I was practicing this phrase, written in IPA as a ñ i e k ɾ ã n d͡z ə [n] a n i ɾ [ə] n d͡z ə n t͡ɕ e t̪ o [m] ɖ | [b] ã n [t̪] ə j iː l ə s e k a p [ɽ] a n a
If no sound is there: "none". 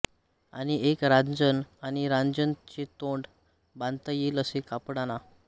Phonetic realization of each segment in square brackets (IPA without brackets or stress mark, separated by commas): n, a, ɳ, b, t̪, ɽ